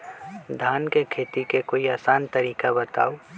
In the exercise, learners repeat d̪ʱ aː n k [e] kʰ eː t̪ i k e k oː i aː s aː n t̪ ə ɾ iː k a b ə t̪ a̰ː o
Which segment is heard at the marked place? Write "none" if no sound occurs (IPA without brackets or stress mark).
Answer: e